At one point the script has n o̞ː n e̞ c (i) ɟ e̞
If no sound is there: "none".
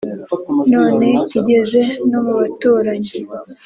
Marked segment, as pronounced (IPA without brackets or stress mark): i